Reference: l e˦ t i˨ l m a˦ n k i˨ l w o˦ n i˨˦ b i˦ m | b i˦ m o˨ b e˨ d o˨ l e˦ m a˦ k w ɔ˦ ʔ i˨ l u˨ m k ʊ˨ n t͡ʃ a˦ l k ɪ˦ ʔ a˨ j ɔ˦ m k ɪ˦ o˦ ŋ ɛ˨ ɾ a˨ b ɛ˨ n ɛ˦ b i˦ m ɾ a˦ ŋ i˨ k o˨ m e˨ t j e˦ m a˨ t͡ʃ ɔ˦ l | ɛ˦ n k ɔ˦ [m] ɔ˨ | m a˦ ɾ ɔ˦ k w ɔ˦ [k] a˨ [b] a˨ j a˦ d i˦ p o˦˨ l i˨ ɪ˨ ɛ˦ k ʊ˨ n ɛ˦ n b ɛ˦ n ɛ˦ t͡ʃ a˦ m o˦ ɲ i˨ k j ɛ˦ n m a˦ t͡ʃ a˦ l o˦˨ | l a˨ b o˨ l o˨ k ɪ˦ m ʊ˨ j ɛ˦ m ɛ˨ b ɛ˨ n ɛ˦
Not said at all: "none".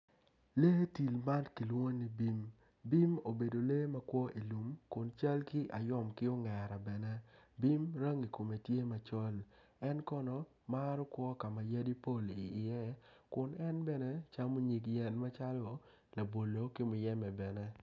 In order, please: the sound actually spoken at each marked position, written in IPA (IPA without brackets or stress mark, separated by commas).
n, k, m